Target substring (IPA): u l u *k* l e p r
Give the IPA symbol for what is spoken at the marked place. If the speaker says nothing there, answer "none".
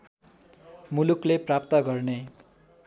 k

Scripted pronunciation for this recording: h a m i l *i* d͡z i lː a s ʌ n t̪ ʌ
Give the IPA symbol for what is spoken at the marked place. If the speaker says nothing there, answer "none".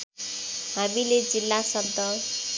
e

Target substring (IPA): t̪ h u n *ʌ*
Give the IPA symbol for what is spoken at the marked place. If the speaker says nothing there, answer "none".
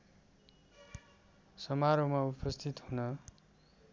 ʌ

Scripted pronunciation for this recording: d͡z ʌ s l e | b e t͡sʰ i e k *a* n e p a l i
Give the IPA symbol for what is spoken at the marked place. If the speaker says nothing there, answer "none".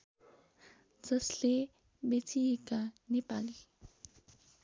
a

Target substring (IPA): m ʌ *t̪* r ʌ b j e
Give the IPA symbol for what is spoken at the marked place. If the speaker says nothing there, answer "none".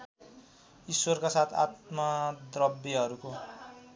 d̪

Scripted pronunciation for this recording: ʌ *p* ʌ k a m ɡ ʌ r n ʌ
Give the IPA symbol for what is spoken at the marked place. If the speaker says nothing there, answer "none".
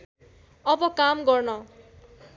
b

